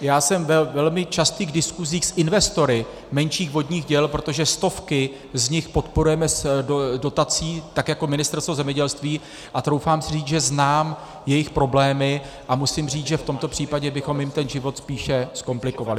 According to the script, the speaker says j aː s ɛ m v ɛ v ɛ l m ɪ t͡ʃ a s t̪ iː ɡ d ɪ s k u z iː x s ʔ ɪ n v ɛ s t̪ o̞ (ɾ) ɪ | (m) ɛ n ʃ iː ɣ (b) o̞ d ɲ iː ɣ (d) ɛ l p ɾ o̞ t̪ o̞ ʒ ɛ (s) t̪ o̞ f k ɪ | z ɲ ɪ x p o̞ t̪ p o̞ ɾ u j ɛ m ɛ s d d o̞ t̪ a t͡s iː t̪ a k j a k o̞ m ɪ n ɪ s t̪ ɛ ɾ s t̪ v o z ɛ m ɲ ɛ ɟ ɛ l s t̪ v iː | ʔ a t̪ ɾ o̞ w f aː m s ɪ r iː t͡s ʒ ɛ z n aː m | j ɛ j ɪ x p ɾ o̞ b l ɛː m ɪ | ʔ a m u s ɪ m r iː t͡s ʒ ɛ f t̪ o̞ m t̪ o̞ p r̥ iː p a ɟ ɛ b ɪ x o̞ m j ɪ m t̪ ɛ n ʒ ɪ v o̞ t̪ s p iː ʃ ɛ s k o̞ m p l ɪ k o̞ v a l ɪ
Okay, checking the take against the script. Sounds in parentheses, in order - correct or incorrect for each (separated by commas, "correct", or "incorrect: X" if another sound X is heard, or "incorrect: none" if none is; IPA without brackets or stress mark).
correct, correct, incorrect: v, incorrect: ɟ, correct